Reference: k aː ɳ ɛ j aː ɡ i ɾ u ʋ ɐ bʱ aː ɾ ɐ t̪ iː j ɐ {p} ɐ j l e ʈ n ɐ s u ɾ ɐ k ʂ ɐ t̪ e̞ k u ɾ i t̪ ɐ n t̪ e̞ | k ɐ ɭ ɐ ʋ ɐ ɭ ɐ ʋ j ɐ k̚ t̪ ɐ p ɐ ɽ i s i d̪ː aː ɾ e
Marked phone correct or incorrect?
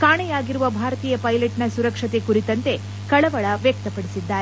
correct